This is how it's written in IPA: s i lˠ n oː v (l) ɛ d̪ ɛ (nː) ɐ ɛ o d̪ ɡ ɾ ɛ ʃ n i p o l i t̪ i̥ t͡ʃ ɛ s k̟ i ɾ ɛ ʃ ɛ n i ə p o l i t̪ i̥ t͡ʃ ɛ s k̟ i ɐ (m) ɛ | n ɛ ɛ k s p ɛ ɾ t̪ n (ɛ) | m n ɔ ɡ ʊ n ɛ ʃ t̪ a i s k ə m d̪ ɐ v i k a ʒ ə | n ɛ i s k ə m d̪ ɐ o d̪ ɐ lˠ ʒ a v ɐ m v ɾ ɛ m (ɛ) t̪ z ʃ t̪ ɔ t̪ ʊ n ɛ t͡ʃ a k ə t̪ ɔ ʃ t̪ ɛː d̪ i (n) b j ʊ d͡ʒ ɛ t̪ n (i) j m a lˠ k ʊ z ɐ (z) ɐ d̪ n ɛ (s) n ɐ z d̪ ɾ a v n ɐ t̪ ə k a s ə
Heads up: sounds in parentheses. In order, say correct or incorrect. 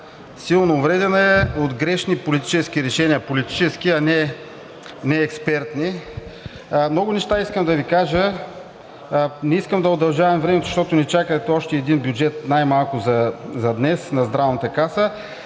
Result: incorrect: ɾ, incorrect: n, incorrect: n, incorrect: i, correct, correct, incorrect: a, correct, correct

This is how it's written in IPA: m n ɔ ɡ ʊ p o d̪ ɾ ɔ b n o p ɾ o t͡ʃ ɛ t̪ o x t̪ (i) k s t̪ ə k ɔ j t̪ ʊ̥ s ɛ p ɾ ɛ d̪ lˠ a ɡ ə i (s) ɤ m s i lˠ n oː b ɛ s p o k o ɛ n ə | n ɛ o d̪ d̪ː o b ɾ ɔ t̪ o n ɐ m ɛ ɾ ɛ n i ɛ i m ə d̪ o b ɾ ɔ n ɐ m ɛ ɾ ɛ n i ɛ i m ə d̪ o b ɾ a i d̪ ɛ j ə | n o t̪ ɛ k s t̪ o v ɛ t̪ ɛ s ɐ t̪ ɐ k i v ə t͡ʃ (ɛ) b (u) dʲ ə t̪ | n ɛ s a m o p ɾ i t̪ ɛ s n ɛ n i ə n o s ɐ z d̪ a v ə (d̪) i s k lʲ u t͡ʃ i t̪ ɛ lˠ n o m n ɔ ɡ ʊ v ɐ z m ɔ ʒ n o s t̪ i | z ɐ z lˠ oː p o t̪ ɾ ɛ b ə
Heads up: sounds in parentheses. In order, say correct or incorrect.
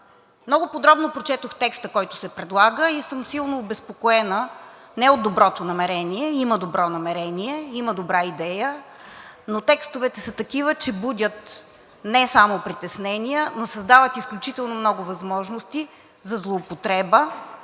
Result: incorrect: ɛ, correct, correct, correct, incorrect: t̪

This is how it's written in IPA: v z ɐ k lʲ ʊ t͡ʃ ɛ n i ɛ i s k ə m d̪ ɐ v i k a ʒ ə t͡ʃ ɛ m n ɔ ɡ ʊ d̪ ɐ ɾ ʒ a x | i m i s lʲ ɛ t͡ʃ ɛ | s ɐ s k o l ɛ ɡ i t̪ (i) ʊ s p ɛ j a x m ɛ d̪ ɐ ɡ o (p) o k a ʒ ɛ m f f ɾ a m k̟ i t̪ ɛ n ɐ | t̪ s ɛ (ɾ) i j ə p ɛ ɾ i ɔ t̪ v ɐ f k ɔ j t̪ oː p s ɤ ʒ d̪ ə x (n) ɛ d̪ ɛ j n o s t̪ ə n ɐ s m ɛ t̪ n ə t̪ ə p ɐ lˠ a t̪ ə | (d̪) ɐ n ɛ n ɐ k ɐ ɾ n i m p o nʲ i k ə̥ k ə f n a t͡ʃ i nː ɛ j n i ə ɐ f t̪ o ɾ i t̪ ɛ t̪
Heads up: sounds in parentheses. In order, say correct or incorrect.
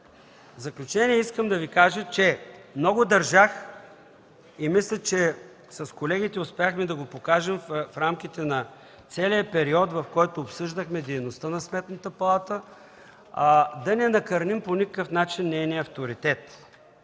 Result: incorrect: ɛ, correct, incorrect: l, incorrect: m, correct

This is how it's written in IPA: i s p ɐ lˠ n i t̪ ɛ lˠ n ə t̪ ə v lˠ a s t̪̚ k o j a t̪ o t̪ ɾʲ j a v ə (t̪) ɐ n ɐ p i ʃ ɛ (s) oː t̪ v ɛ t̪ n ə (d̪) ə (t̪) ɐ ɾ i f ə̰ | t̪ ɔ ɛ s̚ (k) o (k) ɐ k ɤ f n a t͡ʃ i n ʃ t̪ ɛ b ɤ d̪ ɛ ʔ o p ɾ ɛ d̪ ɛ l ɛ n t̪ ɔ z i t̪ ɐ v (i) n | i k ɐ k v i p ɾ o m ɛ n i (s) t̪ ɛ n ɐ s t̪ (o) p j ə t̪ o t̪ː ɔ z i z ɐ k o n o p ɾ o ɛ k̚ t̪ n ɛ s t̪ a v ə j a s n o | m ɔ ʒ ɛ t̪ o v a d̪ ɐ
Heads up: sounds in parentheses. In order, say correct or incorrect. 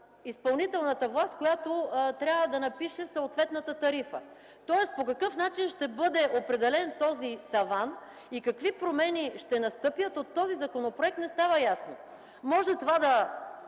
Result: incorrect: d̪, correct, incorrect: t̪, correct, incorrect: p, correct, incorrect: a, incorrect: ʃ, incorrect: ɤ

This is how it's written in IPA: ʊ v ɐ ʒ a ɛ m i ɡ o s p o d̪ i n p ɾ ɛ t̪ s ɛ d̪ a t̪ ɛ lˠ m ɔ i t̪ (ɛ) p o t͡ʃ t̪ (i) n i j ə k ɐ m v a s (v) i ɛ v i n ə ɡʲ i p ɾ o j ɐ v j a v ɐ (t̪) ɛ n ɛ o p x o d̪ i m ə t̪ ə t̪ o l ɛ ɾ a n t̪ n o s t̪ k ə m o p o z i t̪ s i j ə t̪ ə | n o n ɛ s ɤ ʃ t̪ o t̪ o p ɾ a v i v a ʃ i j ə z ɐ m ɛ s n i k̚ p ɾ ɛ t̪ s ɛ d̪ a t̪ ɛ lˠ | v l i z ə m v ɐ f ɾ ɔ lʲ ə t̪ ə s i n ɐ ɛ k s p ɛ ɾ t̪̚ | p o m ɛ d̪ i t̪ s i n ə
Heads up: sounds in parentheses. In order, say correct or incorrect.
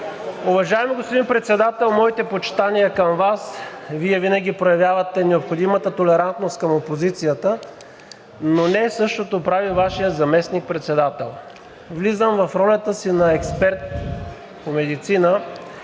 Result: correct, incorrect: a, correct, correct

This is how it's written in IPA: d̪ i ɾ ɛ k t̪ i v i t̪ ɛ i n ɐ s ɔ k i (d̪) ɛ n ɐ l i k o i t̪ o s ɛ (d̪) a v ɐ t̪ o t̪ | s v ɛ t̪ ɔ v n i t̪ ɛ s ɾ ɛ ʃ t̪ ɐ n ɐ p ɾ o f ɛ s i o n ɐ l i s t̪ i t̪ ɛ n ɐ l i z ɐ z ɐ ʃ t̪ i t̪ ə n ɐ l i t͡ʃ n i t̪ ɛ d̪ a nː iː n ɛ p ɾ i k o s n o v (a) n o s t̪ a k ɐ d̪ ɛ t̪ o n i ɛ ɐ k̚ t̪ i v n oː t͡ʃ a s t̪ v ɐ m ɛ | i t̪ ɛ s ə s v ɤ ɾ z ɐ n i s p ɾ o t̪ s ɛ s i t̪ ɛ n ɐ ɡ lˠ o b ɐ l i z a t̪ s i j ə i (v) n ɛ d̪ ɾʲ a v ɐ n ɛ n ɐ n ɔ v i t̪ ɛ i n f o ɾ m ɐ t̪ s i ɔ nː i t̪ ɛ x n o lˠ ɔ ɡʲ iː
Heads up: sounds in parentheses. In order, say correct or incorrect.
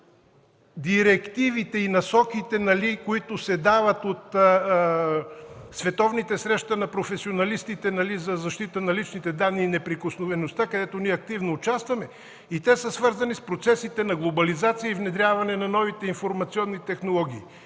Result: incorrect: t̪, correct, incorrect: ɛ, correct

